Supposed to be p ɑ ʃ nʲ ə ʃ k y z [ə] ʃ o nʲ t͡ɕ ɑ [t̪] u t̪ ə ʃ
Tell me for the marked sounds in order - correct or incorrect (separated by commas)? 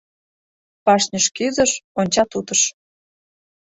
correct, correct